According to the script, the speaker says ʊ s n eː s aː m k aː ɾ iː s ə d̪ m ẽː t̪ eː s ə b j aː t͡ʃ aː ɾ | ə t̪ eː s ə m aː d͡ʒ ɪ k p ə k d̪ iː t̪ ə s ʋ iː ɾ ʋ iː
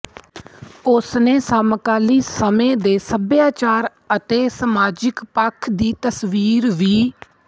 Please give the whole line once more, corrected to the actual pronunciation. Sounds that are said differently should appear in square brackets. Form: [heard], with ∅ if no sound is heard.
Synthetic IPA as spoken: ʊ s n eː s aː m k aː [l] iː s ə [∅] m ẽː [d̪] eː s ə b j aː t͡ʃ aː ɾ | ə t̪ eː s ə m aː d͡ʒ ɪ k p ə [kʰ] d̪ iː t̪ ə s ʋ iː ɾ ʋ iː